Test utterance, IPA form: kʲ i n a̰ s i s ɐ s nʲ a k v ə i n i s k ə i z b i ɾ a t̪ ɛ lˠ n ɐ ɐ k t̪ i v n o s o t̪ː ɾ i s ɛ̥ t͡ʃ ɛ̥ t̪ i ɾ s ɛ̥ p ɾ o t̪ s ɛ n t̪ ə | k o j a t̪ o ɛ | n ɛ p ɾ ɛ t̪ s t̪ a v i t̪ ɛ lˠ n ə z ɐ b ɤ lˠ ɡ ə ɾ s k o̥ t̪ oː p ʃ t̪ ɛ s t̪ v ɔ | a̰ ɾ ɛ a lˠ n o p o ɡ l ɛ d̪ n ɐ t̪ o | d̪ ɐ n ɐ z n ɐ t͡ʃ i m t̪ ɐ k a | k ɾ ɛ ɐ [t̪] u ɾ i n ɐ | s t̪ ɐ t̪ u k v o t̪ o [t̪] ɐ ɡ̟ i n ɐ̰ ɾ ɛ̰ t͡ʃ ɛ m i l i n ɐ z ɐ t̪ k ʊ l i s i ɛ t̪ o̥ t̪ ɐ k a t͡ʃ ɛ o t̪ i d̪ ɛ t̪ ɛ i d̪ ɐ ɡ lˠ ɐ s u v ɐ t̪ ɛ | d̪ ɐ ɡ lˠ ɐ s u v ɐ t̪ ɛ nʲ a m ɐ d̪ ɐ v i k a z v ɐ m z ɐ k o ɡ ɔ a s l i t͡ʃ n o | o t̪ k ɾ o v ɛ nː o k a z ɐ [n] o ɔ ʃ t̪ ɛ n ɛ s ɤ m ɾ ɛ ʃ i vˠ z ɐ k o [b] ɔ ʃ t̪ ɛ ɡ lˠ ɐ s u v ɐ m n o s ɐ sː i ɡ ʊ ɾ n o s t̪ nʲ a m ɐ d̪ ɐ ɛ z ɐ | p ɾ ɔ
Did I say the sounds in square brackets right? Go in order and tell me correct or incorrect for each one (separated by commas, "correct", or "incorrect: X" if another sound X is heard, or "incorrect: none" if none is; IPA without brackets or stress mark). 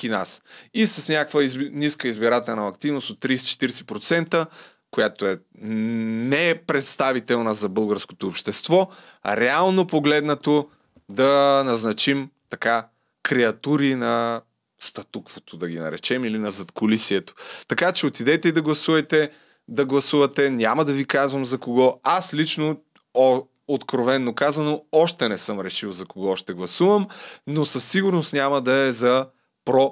correct, incorrect: d̪, correct, incorrect: ɡ